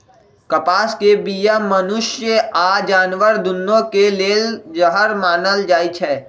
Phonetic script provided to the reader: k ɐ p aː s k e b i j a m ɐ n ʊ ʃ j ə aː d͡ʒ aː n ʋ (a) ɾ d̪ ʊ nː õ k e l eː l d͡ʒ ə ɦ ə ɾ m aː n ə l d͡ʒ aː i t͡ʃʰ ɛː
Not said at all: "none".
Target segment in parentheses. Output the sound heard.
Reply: ə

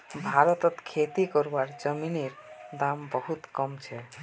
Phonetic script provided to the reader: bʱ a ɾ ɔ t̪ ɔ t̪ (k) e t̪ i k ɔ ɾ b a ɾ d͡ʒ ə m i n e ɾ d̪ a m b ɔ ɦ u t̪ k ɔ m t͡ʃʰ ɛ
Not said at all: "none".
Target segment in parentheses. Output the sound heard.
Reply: kʰ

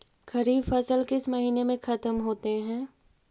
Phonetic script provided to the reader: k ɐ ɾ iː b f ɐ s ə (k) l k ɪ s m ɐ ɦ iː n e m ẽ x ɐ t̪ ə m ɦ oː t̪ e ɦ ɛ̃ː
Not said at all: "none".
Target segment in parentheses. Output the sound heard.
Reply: none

